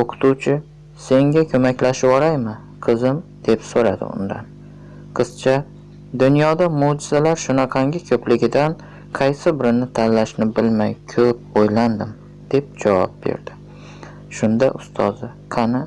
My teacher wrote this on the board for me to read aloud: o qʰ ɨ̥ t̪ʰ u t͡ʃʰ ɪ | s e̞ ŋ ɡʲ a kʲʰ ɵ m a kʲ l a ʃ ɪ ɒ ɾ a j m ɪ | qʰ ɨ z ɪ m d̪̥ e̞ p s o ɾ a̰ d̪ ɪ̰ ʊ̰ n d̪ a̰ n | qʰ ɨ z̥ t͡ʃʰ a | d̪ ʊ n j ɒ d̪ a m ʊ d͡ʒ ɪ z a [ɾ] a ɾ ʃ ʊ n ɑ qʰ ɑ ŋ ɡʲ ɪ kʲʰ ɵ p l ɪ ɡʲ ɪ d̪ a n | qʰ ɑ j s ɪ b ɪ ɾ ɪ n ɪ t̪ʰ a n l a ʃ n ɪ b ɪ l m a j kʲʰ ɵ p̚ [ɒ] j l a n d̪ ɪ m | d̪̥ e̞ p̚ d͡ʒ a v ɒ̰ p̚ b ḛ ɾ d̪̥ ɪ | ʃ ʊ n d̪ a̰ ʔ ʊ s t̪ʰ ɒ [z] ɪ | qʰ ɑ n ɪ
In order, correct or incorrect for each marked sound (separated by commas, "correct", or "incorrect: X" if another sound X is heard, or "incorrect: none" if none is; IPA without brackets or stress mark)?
incorrect: l, incorrect: o, correct